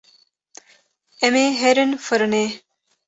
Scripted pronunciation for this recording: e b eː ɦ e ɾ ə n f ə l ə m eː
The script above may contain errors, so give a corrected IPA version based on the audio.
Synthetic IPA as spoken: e m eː ɦ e ɾ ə n f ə ɾ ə n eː